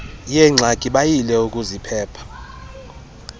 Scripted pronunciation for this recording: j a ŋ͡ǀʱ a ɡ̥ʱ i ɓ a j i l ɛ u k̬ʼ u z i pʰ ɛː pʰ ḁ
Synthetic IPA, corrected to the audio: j ɛ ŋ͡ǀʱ a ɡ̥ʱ i ɓ a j i l ɛ u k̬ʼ u z i pʰ ɛː pʰ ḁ